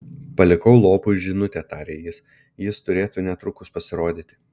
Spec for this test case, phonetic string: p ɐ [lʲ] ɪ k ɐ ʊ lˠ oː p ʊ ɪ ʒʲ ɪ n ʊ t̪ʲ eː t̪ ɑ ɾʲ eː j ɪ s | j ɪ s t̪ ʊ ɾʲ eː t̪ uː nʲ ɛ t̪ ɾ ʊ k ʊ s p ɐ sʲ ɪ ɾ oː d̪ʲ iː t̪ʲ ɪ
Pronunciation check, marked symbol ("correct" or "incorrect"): correct